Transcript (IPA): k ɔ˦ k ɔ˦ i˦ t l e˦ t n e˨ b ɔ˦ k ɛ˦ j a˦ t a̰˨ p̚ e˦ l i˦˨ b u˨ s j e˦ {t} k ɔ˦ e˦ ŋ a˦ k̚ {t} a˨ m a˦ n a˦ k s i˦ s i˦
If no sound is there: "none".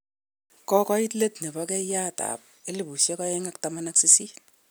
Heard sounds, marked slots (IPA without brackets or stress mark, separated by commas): none, t